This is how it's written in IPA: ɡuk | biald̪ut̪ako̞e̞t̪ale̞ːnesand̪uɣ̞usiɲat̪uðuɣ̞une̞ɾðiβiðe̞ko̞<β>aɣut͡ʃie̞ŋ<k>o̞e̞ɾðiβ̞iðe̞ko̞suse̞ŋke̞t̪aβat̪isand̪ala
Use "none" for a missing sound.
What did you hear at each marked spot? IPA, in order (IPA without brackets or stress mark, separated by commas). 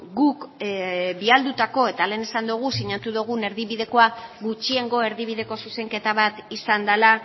none, ɡ